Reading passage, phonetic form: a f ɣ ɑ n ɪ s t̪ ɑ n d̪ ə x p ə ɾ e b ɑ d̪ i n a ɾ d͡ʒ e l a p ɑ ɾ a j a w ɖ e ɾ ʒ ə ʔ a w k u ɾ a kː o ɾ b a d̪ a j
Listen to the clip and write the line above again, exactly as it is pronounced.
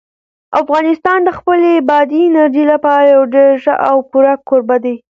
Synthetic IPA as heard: a f ɣ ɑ n ɪ s t̪ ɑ n d̪ ə x p ə l e b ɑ d̪ i n a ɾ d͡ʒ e l a p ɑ ɾ a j a w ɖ e ɾ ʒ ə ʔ a w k u ɾ a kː o ɾ b a d̪ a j

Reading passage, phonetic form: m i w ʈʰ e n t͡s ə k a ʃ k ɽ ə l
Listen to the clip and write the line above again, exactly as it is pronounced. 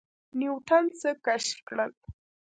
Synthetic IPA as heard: n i w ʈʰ a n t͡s ə k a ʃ k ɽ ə l

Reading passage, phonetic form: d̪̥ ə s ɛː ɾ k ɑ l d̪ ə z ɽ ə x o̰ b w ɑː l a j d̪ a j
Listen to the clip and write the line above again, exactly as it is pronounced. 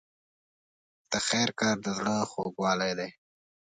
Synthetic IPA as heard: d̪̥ ə x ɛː ɾ k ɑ ɾ d̪ ə z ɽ ə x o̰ ɡ w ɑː l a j d̪ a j

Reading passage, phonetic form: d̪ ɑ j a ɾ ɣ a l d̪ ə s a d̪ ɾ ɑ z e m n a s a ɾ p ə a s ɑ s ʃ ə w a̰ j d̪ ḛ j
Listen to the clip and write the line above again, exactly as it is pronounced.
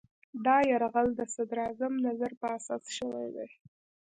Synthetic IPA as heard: d̪ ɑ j a ɾ ɣ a l d̪ ə s a d̪ ɾ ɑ z a m n a z a ɾ p ə a s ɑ s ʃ ə w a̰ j d̪ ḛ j

